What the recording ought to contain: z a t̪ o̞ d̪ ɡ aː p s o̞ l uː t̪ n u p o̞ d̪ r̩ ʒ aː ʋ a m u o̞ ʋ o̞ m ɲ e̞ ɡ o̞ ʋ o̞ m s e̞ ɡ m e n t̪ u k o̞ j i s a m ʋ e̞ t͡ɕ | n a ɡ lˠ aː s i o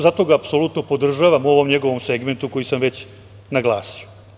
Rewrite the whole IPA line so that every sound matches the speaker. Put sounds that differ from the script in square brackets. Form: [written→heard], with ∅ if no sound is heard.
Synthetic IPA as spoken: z a t̪ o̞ [d̪→∅] ɡ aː p s o̞ l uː t̪ n [u→o] p o̞ d̪ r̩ ʒ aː ʋ a m u o̞ ʋ o̞ m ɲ e̞ ɡ o̞ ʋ o̞ m s e̞ ɡ m e n t̪ u k o̞ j i s a m ʋ e̞ t͡ɕ | n a ɡ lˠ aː s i o